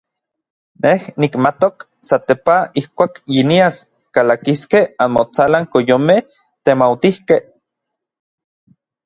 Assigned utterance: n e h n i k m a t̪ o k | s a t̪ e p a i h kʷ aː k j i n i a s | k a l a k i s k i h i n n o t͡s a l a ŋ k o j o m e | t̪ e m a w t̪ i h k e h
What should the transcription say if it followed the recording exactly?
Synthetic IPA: n e h n i k m a t̪ o k | s a t̪ e p a i h kʷ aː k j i n i a s | k a l a k i s k e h a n m o t͡s a l a ŋ k o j o m e | t̪ e m a w t̪ i h k e h